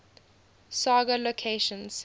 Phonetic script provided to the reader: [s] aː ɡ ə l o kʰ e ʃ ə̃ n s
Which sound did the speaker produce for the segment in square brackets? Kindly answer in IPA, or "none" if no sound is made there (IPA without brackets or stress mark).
s